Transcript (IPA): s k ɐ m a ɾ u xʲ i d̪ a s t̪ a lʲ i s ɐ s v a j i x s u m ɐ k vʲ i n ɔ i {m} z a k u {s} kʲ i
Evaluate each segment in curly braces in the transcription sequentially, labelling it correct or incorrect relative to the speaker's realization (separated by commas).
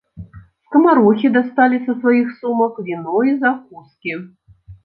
incorrect, correct